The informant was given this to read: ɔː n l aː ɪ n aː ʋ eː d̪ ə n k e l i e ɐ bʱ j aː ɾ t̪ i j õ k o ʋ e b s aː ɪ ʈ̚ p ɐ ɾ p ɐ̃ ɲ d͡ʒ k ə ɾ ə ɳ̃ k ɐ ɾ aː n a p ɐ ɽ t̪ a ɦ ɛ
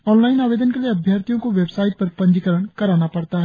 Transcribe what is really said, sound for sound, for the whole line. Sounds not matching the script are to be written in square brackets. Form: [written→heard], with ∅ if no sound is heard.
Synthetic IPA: ɔː n l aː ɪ n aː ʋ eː d̪ ə n k e l i e ɐ bʱ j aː ɾ t̪ i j õ k o ʋ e b s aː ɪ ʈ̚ p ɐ ɾ p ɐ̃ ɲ d͡ʒ k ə ɾ ə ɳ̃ k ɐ ɾ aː n a p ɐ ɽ t̪ a ɦ ɛ